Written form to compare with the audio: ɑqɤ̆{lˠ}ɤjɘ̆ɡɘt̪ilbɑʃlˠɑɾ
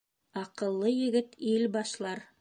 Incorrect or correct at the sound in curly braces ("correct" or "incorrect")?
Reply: incorrect